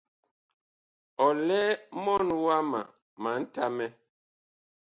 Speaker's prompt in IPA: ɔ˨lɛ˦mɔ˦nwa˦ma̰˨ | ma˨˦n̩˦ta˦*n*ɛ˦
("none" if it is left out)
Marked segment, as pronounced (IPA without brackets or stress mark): m